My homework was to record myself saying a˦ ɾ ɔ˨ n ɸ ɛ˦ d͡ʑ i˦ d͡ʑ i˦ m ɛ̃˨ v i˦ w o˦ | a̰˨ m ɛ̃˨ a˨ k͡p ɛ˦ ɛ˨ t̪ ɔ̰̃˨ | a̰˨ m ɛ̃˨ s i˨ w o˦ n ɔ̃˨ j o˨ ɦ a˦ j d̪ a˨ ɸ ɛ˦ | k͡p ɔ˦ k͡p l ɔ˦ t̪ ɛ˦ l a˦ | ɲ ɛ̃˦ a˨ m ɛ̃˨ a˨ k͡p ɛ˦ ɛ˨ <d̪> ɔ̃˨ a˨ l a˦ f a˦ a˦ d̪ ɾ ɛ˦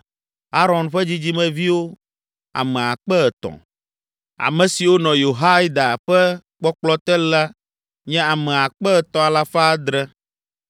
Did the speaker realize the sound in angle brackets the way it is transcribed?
no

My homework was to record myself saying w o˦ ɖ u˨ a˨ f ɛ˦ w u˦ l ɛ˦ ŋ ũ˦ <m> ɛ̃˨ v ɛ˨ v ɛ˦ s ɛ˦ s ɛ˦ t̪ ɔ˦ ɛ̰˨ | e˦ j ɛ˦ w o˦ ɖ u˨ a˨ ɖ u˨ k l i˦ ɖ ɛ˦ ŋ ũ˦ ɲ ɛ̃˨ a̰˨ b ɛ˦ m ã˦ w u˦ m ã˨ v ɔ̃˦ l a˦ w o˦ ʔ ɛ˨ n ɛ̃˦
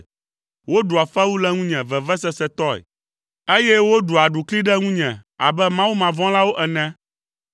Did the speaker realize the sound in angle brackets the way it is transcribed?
no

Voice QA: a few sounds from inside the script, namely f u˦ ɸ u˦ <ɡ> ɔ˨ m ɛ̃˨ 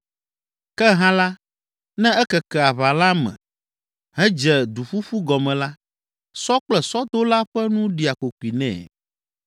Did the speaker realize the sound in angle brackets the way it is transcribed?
yes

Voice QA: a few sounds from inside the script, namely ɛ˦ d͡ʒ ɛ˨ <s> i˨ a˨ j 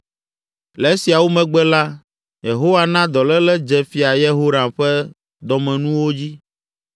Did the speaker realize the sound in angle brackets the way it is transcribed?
no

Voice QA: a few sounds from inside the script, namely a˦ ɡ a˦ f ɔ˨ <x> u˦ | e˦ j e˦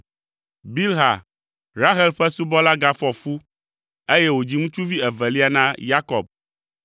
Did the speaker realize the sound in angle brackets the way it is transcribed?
no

